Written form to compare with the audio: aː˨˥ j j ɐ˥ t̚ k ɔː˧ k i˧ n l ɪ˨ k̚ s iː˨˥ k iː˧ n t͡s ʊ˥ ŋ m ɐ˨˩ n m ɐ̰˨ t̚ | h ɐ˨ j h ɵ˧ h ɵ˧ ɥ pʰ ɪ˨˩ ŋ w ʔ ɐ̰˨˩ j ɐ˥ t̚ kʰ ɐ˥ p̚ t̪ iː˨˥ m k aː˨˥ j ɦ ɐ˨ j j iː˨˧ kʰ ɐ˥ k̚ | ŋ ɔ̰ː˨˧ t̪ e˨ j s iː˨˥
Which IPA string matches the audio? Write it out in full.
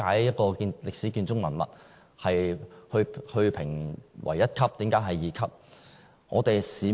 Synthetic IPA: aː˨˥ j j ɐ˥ t̚ k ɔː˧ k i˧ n l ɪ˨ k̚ s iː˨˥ k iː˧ n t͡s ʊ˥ ŋ m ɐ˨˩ n m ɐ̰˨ t̚ | h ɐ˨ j h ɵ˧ h ɵ˧ ɥ pʰ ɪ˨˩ ŋ w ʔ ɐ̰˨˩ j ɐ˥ t̚ kʰ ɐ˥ p̚ t̪ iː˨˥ m k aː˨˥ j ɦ ɐ˨ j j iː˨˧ kʰ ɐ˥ p̚ | ŋ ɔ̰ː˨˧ t̪ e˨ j s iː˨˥

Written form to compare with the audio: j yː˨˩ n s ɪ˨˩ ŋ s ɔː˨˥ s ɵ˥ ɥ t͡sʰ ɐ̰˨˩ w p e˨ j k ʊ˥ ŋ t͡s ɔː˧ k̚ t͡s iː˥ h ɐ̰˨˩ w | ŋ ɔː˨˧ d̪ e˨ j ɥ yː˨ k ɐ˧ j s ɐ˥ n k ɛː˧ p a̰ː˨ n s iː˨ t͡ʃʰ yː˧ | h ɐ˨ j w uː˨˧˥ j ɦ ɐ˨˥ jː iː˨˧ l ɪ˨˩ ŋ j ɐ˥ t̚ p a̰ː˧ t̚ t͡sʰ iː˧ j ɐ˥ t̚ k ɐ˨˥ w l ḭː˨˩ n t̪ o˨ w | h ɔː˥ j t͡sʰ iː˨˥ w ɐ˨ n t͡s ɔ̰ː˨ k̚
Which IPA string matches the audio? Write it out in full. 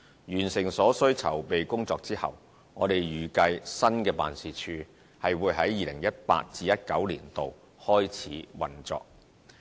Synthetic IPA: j yː˨˩ n s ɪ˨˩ ŋ s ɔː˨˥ s ɵ˥ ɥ t͡sʰ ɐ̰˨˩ w p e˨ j k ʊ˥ ŋ t͡s ɔː˧ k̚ t͡s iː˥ h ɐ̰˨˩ w | ŋ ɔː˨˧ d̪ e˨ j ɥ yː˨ k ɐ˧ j s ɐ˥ n k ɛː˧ p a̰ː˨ n s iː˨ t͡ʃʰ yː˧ | h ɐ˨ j w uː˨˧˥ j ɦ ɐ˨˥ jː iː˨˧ l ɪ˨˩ ŋ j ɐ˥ t̚ p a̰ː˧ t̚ t͡s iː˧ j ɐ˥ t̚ k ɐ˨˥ w l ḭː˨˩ n t̪ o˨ w | h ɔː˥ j t͡sʰ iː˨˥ w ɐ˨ n t͡s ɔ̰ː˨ k̚

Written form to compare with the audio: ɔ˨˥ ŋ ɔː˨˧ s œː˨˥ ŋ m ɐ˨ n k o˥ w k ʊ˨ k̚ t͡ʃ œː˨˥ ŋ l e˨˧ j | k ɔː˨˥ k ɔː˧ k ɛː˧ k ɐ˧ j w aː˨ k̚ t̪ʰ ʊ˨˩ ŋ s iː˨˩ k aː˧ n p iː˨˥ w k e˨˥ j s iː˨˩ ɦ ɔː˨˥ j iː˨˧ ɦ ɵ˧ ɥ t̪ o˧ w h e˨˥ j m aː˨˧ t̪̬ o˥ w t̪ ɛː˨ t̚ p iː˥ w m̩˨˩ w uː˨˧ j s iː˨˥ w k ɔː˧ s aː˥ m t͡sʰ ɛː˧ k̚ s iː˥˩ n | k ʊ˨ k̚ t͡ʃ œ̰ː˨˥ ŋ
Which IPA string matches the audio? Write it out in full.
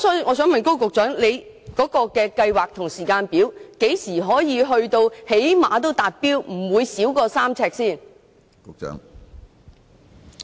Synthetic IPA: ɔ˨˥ ŋ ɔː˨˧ s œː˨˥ ŋ m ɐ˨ n k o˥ w k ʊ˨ k̚ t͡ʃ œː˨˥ ŋ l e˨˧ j | k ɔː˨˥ k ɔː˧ k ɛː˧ k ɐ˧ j w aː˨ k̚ t̪ʰ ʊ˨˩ ŋ s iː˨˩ k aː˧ n p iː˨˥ w k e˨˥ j s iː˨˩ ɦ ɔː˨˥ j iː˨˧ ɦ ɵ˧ ɥ t̪ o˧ w h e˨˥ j m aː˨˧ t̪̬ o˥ w t̪ aː˨ t̚ p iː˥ w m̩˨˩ w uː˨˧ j s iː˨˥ w k ɔː˧ s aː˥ m t͡sʰ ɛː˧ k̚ s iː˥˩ n | k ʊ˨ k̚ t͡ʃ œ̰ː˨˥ ŋ

